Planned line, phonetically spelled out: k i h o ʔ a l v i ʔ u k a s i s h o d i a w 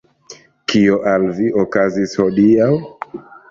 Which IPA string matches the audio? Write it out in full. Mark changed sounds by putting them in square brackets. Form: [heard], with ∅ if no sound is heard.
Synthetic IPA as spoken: k i [∅] o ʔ a l v i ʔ [o] k a [z] i s h o d i a w